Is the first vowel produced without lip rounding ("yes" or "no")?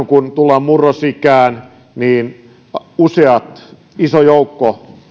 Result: no